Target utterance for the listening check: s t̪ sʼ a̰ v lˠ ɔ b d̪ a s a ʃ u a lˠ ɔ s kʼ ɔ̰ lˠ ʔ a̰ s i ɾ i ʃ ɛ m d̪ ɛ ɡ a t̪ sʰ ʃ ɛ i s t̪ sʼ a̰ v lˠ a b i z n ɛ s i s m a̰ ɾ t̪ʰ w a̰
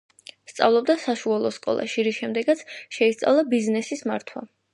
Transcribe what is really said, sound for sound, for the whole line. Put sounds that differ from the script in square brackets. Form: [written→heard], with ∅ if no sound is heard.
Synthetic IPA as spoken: s t̪ sʼ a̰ v lˠ ɔ b d̪ a s a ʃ u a lˠ ɔ s kʼ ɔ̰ lˠ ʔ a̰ [s→ʃ] i ɾ i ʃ ɛ m d̪ ɛ ɡ a t̪ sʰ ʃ ɛ i s t̪ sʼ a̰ v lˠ a b i z n ɛ s i s m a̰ ɾ t̪ʰ w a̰